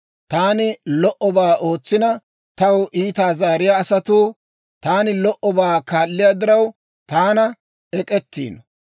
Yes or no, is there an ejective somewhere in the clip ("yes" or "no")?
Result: yes